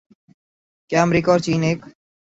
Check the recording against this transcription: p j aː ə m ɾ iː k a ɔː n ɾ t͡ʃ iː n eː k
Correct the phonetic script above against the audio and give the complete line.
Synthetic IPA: k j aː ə m ɾ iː k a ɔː ɾ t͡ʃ iː n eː k

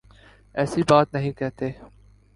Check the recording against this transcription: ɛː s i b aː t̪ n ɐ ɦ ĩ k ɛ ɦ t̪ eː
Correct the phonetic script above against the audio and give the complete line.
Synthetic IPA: ɛː s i b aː t̪ n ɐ ɦ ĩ k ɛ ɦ t̪ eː

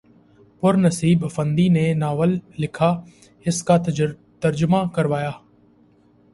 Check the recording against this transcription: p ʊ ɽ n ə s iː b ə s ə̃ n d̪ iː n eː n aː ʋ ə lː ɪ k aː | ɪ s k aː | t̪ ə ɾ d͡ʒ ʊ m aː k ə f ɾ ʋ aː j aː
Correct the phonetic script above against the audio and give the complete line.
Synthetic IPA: p ʊ ɾ n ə s iː b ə f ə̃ n d̪ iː n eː n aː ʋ ə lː ɪ kʰ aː | ɪ s k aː | t̪ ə ɾ d͡ʒ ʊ m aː k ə ɾ ʋ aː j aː

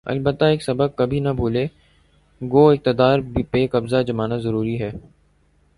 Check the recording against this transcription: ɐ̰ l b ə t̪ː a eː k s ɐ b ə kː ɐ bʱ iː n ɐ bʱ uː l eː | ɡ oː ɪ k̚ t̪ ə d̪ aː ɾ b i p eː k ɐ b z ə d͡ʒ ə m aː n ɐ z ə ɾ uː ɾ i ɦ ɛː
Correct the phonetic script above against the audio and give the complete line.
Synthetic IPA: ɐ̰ l b ə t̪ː a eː k s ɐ b ə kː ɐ bʱ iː n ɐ bʱ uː l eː | ɡ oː ɪ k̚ t̪ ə d̪ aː ɾ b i p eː k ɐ b z a d͡ʒ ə m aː n a z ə ɾ uː ɾ i ɦ ɛː

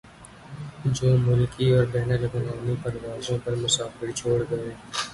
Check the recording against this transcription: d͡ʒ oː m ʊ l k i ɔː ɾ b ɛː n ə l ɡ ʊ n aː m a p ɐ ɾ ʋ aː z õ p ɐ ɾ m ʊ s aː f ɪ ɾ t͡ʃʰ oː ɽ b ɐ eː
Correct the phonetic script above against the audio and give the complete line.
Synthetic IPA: d͡ʒ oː m ʊ l k i ɔː ɾ b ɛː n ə l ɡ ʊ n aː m i p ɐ ɾ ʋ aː z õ p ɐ ɾ m ʊ s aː f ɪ ɾ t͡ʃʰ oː ɽ ɡ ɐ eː

